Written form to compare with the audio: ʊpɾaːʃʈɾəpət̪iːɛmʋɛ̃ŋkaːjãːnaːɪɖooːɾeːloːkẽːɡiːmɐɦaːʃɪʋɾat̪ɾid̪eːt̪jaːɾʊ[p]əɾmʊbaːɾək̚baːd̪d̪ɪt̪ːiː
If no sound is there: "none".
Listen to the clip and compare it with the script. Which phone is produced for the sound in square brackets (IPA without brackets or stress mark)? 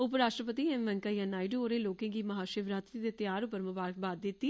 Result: p